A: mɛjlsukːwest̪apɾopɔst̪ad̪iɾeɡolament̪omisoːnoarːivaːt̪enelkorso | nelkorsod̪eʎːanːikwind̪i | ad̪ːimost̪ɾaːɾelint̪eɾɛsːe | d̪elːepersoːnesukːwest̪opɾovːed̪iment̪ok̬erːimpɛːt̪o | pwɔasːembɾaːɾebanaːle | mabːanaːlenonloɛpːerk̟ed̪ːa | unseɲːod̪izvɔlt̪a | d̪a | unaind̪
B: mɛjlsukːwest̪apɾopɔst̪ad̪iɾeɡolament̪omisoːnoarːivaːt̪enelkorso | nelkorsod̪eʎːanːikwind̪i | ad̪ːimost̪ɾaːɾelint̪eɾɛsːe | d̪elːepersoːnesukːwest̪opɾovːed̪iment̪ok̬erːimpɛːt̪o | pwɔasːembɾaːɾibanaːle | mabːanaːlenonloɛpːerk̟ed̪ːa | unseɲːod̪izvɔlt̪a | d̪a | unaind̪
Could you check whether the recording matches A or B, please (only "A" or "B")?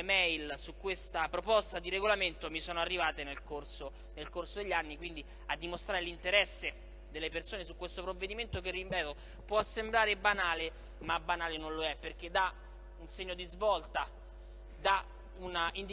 A